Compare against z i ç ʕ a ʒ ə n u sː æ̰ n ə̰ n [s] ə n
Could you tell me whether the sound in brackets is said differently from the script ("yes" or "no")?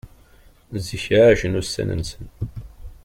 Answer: no